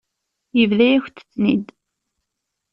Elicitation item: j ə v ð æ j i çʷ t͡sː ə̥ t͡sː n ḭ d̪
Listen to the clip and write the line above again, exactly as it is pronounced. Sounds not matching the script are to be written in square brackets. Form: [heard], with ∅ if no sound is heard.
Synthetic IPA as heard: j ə v ð æ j [æ] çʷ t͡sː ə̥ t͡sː n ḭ d̪